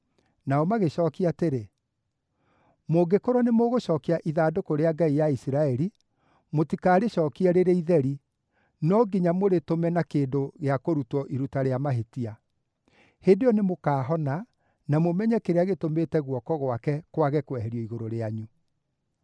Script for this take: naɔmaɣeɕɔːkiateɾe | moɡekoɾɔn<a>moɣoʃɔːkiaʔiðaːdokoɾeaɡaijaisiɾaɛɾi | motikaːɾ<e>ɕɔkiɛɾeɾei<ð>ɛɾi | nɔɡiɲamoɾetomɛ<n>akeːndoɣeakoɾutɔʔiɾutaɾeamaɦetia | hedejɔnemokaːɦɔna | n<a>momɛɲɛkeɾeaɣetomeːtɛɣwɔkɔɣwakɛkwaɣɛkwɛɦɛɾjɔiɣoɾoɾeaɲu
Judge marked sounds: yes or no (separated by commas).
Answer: no, yes, yes, yes, yes